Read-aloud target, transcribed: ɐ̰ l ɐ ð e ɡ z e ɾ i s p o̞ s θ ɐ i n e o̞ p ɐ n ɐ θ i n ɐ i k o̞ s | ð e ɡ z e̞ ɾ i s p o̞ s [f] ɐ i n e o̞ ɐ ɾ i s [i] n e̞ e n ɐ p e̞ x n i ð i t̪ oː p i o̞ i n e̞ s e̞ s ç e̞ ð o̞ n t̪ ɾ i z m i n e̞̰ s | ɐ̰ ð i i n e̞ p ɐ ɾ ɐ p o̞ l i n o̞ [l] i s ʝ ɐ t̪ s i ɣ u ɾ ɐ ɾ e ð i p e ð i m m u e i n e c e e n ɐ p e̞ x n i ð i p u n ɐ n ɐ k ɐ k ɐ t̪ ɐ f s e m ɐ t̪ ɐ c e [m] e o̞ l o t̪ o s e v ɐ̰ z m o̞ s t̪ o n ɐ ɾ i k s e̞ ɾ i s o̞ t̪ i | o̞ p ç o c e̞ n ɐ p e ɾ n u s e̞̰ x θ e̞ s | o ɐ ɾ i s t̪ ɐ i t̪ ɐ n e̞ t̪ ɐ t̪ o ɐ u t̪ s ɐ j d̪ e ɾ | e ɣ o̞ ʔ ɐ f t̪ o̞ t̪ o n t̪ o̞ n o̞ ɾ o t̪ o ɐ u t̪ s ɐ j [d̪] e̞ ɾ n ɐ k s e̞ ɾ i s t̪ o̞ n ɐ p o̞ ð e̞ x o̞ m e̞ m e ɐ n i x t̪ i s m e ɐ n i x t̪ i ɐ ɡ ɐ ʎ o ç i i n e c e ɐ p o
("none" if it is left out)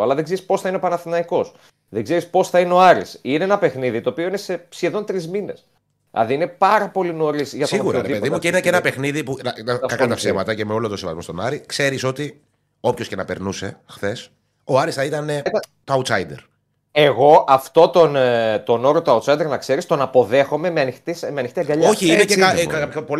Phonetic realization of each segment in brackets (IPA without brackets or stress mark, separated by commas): θ, i, ɾ, m, d̪